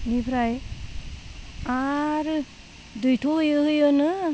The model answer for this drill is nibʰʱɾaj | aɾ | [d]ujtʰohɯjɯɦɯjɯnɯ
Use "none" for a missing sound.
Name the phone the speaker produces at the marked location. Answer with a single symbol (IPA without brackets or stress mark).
d